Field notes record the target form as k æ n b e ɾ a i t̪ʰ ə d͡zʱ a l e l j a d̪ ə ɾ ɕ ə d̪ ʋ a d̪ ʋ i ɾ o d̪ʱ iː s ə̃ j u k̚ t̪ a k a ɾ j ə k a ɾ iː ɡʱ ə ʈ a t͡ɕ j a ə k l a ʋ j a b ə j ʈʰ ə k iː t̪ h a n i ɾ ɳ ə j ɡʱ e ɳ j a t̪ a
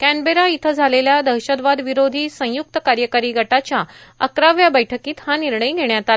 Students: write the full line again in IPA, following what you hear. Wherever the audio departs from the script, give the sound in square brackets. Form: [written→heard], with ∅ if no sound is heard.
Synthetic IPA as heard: k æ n b e ɾ a i t̪ʰ ə d͡zʱ a l e l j a d̪ ə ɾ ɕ ə d̪ ʋ a d̪ ʋ i ɾ o d̪ʱ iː s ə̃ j u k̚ t̪ [a→ə] k a ɾ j ə k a ɾ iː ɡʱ ə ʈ a t͡ɕ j a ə k [l→ɾ] a ʋ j a b ə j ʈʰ ə k iː t̪ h a n i ɾ ɳ ə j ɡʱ e ɳ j a t̪ a